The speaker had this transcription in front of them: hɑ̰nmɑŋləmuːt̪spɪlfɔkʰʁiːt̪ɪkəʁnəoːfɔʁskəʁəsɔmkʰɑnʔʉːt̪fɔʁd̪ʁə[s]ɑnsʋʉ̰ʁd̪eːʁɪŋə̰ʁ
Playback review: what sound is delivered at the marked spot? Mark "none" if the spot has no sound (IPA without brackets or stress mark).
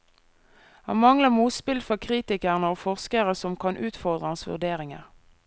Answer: h